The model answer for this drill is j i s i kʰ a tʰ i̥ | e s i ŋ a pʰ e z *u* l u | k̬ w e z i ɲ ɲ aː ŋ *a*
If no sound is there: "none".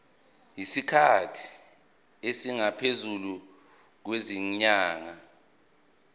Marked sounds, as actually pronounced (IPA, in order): u, a

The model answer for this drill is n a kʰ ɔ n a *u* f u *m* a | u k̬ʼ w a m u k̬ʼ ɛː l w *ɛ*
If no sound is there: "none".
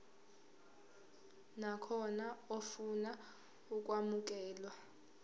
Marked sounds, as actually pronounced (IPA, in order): o, n, a

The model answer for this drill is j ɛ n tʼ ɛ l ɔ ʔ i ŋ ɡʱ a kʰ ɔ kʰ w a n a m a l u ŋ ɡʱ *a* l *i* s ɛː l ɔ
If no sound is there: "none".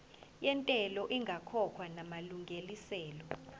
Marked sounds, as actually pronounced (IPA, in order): e, i

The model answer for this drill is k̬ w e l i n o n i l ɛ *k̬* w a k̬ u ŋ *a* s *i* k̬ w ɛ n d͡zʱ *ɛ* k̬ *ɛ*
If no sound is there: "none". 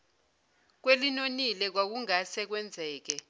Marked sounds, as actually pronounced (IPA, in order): k̬, a, ɛ, ɛː, ɛ

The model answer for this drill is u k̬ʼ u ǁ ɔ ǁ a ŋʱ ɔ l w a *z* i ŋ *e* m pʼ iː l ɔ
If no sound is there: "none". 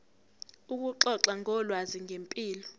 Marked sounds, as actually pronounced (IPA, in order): z, e

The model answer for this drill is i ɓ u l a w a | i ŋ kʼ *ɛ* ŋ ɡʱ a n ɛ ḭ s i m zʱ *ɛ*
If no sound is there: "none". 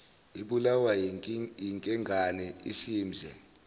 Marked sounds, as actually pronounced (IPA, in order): ɛ, ɛ

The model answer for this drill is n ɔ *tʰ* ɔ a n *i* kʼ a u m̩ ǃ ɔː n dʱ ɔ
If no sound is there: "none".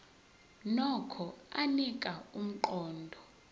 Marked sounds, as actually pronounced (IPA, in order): kʰ, i

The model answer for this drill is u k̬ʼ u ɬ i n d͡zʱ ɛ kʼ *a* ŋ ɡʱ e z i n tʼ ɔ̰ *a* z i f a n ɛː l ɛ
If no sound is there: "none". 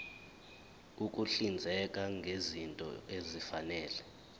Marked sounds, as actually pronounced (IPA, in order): a, e

